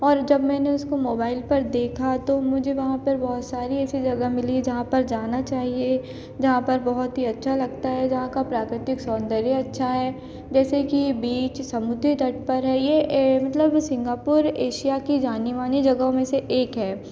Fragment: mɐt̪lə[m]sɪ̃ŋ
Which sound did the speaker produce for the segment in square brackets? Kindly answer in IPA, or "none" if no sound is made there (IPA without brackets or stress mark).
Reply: b